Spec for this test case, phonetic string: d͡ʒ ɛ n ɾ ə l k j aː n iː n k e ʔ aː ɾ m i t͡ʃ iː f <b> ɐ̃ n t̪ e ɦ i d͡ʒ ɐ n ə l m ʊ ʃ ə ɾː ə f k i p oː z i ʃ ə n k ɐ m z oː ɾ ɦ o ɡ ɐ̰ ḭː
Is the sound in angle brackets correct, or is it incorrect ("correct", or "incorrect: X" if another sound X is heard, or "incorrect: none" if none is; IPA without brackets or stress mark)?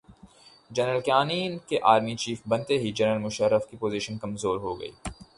correct